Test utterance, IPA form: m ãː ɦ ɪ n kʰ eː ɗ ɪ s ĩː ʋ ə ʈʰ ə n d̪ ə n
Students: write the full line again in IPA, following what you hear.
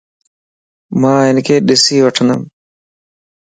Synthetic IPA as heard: m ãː ɦ ɪ n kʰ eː ɗ ɪ s iː ʋ ə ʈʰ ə n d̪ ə m